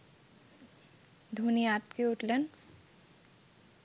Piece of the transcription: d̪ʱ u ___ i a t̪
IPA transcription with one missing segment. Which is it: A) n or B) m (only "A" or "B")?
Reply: A